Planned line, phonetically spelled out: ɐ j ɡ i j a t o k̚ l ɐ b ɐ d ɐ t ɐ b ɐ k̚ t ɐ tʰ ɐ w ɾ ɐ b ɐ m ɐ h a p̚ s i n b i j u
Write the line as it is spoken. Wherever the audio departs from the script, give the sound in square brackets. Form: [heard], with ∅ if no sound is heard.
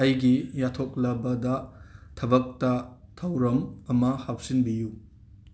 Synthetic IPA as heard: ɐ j ɡ i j a [tʰ] o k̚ l ɐ b ɐ d ɐ [tʰ] ɐ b ɐ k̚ t ɐ tʰ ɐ w ɾ ɐ [m] ɐ m ɐ h a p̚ s i n b i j u